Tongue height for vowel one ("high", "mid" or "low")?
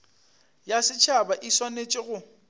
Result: low